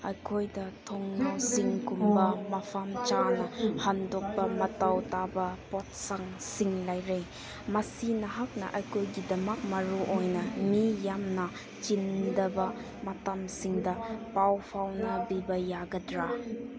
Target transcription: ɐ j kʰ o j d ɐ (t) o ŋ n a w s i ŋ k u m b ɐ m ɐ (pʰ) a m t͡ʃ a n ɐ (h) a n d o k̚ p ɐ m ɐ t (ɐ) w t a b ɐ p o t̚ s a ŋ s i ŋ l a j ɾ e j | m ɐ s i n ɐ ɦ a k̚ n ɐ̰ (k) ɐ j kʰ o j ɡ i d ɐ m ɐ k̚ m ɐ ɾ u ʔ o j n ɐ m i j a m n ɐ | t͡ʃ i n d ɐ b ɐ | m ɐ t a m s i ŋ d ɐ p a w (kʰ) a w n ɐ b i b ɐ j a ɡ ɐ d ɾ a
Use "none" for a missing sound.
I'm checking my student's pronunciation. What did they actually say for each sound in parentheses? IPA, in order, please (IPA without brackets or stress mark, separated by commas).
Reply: tʰ, pʰ, h, a, ʔ, pʰ